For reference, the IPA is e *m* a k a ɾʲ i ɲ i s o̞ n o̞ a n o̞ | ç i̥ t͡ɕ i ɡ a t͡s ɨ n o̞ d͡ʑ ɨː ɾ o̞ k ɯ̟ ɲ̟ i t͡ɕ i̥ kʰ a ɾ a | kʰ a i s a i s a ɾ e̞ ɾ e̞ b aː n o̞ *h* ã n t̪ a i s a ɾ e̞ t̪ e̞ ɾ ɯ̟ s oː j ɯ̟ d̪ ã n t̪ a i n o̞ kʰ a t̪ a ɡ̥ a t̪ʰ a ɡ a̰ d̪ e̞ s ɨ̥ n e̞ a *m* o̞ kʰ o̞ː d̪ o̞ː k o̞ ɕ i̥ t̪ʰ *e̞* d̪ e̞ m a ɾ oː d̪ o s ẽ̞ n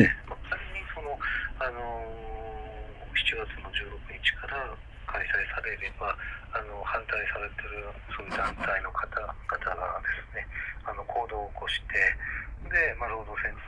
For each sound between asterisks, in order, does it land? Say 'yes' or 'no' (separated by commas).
yes, yes, no, yes